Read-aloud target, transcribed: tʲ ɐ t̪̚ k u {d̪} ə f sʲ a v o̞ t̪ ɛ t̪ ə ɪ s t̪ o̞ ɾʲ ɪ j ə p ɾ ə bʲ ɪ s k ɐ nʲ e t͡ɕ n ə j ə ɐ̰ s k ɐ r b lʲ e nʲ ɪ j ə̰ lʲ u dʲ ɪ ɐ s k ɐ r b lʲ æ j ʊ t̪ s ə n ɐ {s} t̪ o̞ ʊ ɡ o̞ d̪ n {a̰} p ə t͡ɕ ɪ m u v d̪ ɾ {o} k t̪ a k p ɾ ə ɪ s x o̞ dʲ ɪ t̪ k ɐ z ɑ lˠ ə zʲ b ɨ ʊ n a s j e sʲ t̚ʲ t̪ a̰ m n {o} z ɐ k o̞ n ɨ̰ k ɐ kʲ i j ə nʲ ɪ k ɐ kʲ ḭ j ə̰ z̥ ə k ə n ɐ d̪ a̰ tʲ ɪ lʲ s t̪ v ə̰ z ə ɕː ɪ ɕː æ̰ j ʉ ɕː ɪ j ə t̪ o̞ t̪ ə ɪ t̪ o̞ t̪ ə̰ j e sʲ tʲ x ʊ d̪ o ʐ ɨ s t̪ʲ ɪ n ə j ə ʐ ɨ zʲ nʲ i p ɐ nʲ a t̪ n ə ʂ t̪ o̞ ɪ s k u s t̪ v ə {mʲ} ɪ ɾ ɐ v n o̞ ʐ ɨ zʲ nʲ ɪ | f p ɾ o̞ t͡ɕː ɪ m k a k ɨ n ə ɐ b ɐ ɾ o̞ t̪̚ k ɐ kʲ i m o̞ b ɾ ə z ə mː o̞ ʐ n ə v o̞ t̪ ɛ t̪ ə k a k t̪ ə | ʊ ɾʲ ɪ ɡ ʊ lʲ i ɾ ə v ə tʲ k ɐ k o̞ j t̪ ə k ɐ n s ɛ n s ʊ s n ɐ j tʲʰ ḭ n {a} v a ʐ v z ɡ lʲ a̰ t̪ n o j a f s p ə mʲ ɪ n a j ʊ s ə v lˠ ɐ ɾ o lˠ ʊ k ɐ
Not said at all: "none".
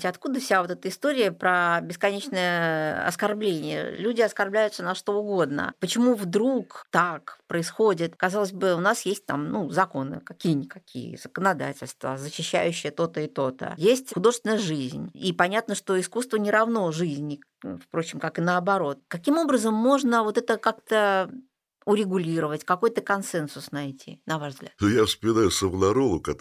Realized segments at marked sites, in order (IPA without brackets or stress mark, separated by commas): d̪, ʂ, ə̰, u, u, nʲ, ɐ